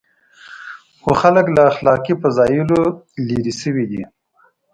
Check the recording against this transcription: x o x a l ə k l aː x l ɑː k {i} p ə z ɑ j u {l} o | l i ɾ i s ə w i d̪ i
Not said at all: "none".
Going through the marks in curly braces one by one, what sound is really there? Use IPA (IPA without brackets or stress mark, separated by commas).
i, l